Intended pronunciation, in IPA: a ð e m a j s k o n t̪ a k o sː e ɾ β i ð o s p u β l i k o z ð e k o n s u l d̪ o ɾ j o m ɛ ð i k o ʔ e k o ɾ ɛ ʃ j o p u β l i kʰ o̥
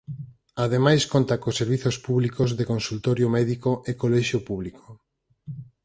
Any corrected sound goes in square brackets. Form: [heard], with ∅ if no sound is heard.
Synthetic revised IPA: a ð e m a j s k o n t̪ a k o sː e ɾ β i [θ] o s p u β l i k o z ð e k o n s u l [t̪] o ɾ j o m ɛ ð i k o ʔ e k o [l] ɛ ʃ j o p u β l i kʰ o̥